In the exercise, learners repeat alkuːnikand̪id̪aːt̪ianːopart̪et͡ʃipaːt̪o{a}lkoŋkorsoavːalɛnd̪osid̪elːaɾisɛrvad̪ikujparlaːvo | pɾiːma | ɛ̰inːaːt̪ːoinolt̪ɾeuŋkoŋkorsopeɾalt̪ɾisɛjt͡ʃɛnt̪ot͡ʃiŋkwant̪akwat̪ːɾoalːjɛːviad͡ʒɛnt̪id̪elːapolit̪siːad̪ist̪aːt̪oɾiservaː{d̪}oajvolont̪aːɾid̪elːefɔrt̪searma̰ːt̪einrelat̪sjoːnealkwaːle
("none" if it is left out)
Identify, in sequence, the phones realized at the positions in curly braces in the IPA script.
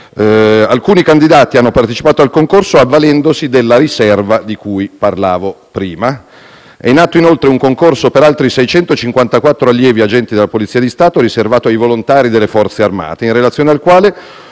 a, t̪

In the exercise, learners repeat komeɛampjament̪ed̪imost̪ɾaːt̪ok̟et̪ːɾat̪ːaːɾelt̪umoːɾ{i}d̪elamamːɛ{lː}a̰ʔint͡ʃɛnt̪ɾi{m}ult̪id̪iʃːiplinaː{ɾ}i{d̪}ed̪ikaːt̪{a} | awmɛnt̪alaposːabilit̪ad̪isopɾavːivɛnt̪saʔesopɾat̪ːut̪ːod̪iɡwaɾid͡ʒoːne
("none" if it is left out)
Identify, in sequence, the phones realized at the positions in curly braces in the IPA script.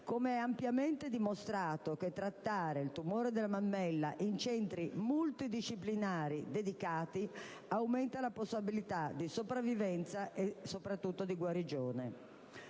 e, lː, m, ɾ, d̪, i

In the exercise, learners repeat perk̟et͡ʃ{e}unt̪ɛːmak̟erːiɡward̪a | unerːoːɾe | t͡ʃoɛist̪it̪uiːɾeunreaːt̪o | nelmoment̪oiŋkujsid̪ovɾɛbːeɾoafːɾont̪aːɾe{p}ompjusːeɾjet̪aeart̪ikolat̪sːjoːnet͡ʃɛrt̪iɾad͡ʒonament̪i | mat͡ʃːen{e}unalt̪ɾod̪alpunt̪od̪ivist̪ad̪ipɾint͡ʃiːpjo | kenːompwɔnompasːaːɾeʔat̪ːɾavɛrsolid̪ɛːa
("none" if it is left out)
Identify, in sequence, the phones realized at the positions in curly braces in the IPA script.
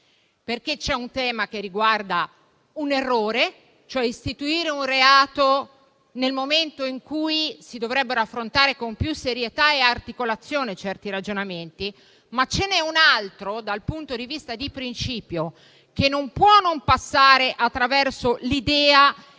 ɛ, k, ɛ

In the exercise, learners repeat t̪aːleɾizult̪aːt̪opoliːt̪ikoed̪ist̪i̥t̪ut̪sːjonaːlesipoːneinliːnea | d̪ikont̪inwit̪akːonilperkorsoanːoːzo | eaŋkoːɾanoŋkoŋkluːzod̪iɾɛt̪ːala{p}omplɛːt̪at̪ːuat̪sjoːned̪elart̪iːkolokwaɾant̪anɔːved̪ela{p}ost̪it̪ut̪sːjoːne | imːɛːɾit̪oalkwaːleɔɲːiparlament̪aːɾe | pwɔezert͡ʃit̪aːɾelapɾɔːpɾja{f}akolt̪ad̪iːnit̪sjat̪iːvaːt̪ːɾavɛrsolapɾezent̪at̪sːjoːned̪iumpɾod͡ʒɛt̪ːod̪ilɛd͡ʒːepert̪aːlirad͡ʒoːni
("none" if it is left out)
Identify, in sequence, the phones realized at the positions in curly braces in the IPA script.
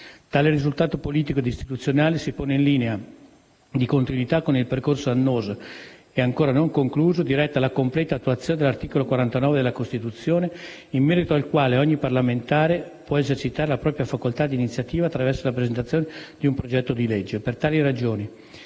k, k, f

